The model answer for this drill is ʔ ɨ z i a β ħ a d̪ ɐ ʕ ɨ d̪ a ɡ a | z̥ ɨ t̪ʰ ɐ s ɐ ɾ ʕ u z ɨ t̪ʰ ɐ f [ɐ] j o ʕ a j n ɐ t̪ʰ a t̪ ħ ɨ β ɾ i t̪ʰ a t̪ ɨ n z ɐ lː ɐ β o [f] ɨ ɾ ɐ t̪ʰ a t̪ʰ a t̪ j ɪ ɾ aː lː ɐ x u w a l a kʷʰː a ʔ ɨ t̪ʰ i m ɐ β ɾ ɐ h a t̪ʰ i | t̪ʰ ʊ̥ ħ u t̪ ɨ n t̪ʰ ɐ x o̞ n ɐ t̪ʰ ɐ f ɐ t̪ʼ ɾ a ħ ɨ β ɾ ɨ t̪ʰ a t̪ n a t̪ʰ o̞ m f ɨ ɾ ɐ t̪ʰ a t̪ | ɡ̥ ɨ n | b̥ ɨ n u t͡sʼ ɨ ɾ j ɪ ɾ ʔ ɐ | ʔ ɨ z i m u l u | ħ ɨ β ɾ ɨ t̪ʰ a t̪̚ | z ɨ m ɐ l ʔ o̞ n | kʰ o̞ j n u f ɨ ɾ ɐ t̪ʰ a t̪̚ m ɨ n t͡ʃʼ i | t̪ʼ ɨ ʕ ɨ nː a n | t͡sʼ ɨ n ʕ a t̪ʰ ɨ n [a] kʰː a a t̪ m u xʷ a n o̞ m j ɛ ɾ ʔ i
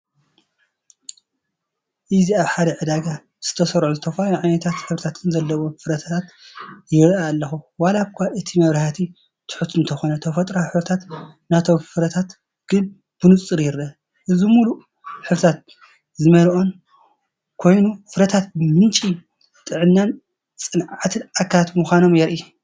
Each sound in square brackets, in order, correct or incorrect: incorrect: a, correct, correct

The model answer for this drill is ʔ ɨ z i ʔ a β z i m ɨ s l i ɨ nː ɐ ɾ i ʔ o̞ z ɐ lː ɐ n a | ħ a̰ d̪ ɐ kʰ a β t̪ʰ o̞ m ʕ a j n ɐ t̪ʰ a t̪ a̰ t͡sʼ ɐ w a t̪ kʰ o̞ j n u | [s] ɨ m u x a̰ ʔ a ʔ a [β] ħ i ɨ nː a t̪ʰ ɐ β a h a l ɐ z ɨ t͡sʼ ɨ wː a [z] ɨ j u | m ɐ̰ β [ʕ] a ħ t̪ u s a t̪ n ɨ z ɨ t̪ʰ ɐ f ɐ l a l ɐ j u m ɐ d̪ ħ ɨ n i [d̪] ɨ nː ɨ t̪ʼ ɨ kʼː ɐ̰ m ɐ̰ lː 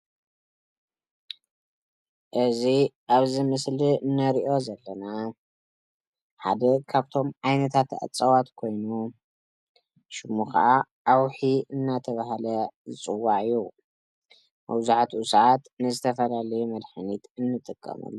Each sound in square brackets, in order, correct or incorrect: incorrect: ʃ, incorrect: w, incorrect: ʕ, incorrect: z, incorrect: t̪

